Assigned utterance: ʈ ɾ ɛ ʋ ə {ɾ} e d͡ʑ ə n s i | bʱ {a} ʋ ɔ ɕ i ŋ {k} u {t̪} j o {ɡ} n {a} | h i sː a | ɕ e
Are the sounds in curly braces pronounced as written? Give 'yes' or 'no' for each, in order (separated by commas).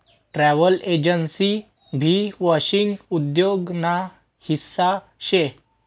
no, no, no, no, yes, yes